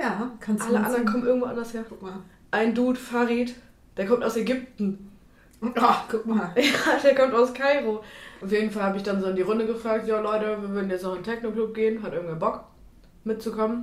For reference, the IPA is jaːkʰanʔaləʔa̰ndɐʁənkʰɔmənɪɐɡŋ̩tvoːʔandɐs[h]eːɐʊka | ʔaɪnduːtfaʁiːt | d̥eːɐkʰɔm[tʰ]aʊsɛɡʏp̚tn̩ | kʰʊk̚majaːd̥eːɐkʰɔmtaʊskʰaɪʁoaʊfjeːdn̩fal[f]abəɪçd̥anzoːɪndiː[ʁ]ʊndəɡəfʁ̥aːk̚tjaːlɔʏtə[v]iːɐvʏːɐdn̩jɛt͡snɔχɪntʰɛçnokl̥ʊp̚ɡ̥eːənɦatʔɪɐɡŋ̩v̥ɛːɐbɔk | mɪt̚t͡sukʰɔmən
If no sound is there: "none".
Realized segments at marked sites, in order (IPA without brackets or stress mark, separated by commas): h, t, h, ʁ, v